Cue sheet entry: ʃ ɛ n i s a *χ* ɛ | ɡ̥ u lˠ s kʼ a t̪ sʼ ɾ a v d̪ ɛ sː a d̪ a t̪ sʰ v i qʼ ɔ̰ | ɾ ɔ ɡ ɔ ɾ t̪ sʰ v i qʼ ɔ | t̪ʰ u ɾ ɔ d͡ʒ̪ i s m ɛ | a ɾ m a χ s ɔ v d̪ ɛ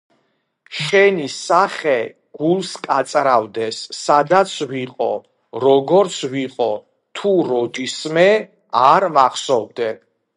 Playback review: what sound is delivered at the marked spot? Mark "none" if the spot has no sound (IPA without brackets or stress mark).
χ